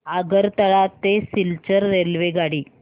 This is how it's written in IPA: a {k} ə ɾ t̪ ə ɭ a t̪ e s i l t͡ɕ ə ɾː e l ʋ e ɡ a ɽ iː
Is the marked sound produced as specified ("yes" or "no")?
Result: no